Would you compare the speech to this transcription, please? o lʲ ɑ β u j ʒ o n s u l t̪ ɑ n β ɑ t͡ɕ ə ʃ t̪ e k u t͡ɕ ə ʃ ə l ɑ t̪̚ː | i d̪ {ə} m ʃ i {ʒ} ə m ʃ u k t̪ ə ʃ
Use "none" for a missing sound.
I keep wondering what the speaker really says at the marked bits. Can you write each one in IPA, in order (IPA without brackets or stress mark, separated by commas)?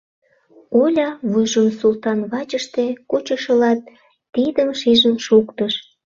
ə, ʒ